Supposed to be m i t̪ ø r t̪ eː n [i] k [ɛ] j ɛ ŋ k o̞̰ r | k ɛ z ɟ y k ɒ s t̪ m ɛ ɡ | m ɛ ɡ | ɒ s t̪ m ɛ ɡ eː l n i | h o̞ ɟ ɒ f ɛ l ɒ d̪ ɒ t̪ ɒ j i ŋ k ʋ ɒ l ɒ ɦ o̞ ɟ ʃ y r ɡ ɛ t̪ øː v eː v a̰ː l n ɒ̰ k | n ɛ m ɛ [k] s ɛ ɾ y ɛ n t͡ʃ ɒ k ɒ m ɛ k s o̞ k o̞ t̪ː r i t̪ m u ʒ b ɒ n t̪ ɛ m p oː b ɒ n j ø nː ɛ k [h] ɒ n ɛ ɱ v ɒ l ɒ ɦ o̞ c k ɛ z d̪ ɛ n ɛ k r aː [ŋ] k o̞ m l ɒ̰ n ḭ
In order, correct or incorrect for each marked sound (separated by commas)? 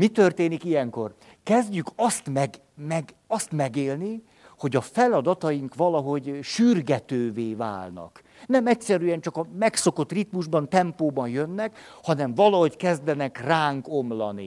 correct, incorrect, incorrect, correct, correct